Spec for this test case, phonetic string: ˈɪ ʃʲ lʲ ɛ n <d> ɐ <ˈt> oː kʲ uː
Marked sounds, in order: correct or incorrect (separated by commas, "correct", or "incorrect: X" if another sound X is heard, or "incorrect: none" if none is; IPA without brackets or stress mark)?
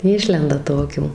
correct, correct